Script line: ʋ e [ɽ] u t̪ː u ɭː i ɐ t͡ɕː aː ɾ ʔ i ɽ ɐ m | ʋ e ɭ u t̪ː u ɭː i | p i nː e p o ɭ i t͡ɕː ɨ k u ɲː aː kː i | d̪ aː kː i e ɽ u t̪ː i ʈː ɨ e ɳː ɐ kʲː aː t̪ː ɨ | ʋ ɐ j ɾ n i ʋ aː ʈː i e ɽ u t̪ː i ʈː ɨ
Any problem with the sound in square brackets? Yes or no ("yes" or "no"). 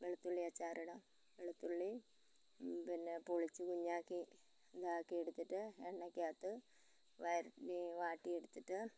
yes